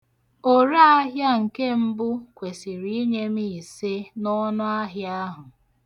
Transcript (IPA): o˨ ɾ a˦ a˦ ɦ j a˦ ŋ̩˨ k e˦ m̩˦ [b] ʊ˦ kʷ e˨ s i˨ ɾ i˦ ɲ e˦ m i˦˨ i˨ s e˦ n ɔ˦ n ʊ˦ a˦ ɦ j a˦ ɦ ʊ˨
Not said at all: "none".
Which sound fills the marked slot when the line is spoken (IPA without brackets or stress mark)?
b